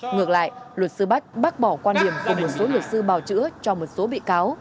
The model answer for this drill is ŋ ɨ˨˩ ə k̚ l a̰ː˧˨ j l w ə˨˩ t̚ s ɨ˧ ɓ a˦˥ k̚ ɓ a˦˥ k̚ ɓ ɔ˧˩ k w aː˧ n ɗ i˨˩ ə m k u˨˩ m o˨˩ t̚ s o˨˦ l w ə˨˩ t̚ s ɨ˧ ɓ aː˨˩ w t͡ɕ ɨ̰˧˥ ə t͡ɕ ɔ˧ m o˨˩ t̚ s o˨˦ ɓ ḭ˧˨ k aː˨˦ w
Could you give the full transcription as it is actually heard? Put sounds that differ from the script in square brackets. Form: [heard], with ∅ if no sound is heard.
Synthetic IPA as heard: ŋ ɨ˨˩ ə k̚ l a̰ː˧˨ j l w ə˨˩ t̚ s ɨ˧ ɓ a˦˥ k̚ ɓ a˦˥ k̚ ɓ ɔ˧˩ k w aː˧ n ɗ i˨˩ ə m k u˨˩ m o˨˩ t̚ s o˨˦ l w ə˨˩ t̚ s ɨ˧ ɓ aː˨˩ w t͡ɕ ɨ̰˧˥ ə t͡ɕ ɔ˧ m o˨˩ t̚ s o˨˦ ɓ ḭ˧˨ k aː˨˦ w